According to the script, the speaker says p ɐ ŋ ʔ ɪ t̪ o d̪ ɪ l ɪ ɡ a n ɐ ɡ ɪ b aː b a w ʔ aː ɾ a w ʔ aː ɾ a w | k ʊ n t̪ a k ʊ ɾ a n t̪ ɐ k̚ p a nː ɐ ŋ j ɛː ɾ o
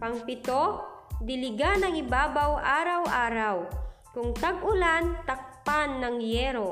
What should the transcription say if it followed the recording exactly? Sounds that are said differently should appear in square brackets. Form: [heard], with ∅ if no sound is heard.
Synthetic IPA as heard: p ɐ ŋ [p] ɪ t̪ o d̪ ɪ l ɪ ɡ a n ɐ [ŋ] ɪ b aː b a w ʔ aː ɾ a w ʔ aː ɾ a w | k ʊ [ŋ] t̪ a [ɡ] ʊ [l] a n t̪ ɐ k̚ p a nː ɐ ŋ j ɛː ɾ o